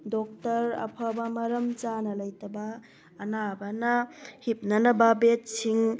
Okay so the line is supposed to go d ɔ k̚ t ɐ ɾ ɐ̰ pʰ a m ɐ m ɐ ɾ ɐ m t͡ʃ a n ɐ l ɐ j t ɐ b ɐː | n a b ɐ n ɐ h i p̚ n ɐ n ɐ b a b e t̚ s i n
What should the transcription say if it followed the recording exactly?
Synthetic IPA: d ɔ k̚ t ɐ ɾ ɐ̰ pʰ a b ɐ m ɐ ɾ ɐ m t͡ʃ a n ɐ l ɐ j t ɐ b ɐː | n a b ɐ n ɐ h i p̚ n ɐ n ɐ b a b e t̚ s i ŋ

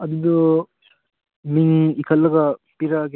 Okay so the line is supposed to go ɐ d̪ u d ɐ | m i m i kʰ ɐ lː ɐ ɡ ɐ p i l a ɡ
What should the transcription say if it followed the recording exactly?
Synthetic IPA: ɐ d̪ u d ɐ | m i ŋ i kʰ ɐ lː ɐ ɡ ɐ p i ɾ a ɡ

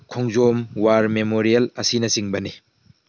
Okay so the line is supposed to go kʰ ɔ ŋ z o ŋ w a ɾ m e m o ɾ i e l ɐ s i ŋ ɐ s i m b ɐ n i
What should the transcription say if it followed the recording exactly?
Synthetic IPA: kʰ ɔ ŋ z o m w a ɾ m e m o ɾ i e l ɐ s i n ɐ s i ŋ b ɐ n i

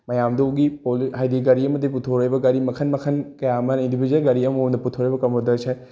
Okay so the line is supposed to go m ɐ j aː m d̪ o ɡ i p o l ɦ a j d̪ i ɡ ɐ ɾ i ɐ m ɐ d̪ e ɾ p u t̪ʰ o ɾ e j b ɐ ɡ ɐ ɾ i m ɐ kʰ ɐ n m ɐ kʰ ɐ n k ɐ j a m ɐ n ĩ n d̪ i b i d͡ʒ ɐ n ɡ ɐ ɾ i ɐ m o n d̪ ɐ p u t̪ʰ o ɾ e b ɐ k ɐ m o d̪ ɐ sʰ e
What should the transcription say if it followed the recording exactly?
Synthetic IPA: m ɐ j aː m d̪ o ɡ i p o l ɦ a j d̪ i ɡ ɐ ɾ i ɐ m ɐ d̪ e p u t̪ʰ o ɾ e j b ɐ ɡ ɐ ɾ i m ɐ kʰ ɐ n m ɐ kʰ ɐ n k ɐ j a m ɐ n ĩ n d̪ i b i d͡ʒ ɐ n ɡ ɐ ɾ i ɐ m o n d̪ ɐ p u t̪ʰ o ɾ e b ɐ k ɐ m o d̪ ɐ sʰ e

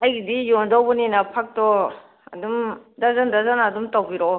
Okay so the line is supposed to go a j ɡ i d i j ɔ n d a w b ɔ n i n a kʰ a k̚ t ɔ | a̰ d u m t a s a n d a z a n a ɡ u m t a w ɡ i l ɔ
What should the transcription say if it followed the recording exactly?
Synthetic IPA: a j ɡ i d i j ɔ n d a w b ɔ n i n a pʰ a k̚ t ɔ | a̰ d u m d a z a n d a z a n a d u m t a w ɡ i ɾ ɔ

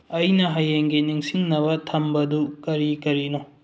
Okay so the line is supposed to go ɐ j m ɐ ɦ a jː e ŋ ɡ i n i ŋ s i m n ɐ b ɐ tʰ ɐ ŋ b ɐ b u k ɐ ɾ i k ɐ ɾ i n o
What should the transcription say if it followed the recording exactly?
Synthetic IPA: ɐ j n ɐ ɦ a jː e ŋ ɡ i n i ŋ s i ŋ n ɐ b ɐ tʰ ɐ m b ɐ d u k ɐ ɾ i k ɐ ɾ i n o

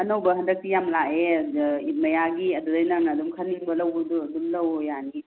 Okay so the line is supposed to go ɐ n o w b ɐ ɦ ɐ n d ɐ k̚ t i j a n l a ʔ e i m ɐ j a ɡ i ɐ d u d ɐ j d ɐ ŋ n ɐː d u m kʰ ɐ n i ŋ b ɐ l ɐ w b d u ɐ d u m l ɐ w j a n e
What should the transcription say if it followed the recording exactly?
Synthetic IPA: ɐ n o w b ɐ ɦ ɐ n d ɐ k̚ t i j a m l a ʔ e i m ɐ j a ɡ i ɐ d u d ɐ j n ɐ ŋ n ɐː d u m kʰ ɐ n i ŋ b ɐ l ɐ w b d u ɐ d u m l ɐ w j a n i

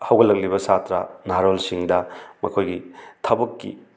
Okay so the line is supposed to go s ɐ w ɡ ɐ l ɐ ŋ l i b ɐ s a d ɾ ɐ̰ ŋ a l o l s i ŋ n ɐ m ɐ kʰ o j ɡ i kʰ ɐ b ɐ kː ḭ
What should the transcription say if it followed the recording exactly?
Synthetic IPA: h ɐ w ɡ ɐ l ɐ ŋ l i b ɐ s a t ɾ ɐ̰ n a ɾ o l s i ŋ d ɐ m ɐ kʰ o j ɡ i tʰ ɐ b ɐ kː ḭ

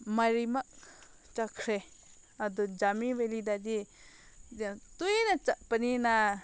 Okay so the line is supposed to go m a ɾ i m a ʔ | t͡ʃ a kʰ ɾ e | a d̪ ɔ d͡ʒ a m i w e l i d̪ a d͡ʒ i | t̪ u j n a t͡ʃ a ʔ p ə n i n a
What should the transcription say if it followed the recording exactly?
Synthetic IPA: m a ɾ i m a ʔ | t͡ʃ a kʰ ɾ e | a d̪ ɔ d͡ʒ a m i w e l i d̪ a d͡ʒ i | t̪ u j n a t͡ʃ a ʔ p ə n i n a

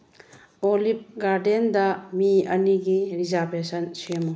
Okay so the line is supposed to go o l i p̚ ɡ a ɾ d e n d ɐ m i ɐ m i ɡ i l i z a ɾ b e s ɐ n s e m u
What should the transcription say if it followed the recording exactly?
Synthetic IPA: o l i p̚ ɡ a ɾ d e n d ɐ m i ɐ n i ɡ i ɾ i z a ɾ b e s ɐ n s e m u

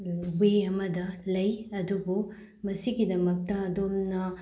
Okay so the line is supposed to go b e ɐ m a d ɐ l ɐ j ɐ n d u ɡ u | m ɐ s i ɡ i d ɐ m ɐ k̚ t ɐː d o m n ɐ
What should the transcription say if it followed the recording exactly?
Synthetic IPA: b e ɐ m ɐ d ɐ l ɐ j ɐ d u b u | m ɐ s i ɡ i d ɐ m ɐ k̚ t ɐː d o m n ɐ

